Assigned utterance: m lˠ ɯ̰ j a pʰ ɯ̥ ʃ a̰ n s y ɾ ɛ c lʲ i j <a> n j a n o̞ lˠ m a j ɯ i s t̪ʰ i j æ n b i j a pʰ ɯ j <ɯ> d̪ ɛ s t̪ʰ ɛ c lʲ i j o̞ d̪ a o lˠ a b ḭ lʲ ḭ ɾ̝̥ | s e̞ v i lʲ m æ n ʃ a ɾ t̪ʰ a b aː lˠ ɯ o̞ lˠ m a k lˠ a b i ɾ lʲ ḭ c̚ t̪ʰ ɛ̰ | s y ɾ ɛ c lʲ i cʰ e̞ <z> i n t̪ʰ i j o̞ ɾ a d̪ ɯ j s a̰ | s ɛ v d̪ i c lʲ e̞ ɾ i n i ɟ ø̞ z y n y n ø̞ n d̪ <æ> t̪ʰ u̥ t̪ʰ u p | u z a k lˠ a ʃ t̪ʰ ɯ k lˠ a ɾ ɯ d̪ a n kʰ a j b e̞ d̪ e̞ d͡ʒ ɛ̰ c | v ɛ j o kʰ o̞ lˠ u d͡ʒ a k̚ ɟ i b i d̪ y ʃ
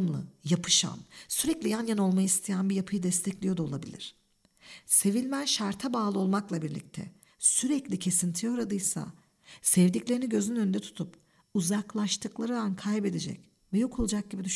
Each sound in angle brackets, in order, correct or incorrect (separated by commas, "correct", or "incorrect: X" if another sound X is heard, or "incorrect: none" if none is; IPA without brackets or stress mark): correct, correct, incorrect: s, incorrect: ɛ